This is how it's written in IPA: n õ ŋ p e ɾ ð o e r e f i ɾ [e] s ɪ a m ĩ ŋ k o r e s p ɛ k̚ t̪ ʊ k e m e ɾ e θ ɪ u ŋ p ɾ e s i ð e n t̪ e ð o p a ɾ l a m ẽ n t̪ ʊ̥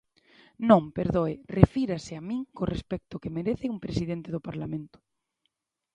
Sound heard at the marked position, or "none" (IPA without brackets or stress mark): a